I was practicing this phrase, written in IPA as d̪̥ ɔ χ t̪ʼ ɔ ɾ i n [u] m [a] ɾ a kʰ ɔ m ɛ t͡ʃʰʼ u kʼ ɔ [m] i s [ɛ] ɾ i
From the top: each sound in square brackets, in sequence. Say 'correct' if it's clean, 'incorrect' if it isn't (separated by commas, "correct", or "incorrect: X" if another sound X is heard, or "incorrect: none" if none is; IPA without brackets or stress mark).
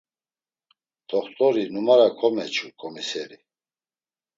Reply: correct, correct, correct, correct